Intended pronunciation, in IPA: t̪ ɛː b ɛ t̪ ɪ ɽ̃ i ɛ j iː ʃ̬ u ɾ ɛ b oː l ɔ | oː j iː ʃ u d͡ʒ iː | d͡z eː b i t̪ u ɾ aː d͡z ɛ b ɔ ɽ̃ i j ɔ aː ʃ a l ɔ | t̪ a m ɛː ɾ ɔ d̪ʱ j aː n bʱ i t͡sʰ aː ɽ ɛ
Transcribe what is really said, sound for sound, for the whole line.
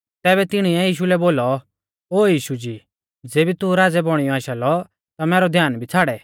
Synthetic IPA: t̪ ɛː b ɛ t̪ ɪ ɽ̃ i ɛ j iː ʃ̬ u l ɛ b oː l ɔ | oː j iː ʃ u d͡ʒ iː | d͡z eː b i t̪ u ɾ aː d͡z ɛ b ɔ ɽ̃ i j ɔ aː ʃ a l ɔ | t̪ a m ɛː ɾ ɔ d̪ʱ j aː n bʱ i t͡sʰ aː ɽ ɛ